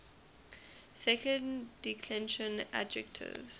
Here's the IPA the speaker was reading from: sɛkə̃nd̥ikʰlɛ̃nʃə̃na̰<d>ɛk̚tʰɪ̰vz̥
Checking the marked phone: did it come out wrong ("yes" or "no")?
yes